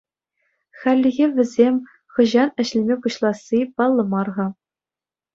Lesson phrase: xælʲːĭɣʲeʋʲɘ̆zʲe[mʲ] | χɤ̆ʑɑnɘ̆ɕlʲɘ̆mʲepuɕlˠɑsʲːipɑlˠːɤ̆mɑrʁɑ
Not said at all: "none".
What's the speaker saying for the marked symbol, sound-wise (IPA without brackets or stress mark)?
mʲ